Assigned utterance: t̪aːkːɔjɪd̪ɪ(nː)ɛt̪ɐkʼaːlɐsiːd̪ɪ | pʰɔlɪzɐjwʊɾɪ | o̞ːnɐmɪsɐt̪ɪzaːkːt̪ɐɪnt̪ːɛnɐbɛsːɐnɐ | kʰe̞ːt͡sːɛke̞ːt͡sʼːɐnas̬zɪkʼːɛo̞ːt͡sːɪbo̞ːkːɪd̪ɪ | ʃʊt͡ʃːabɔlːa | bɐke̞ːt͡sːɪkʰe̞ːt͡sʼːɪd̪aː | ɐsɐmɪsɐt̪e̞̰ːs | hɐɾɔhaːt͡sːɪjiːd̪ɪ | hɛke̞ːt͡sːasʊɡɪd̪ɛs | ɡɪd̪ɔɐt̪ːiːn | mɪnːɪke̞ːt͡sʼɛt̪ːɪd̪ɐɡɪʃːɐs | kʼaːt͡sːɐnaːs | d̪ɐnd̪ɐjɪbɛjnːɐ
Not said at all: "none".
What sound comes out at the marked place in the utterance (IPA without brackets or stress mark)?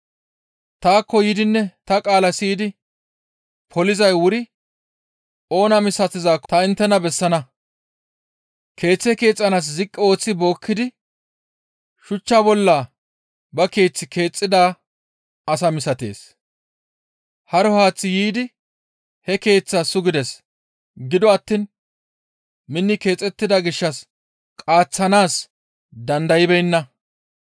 nː